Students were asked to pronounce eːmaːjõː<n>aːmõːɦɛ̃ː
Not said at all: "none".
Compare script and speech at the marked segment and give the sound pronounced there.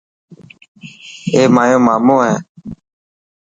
m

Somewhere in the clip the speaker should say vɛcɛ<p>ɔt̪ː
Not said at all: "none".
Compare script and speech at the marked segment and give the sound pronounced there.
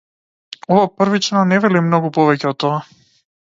none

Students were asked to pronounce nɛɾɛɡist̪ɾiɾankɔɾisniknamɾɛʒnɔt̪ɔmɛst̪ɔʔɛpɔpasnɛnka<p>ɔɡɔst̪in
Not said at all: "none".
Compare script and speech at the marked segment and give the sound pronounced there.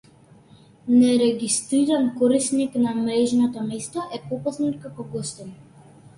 k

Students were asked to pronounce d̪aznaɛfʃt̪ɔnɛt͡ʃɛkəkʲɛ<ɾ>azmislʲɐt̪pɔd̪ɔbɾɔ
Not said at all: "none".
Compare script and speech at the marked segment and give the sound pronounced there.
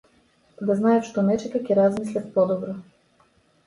ɾ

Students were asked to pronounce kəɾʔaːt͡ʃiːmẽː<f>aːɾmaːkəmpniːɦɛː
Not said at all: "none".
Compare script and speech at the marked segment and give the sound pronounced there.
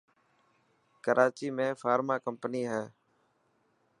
f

